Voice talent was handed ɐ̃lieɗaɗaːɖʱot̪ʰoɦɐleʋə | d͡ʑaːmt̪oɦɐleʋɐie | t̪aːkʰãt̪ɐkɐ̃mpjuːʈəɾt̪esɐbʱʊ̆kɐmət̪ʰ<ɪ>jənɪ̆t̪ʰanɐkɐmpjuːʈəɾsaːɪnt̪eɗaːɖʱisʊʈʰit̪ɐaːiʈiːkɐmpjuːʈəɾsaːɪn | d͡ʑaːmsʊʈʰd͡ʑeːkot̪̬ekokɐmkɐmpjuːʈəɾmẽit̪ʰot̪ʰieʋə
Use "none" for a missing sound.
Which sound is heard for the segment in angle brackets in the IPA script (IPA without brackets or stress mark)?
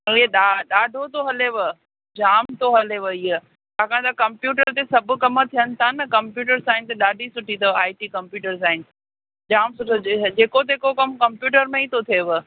i